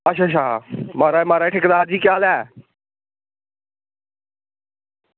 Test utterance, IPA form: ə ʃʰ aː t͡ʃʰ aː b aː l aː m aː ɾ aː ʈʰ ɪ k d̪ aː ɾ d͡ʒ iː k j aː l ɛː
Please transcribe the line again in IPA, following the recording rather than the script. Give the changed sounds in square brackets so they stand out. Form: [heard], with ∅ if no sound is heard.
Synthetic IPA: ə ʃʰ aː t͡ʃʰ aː [m] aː [ɾ] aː m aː ɾ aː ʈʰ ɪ k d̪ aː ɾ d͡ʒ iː k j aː l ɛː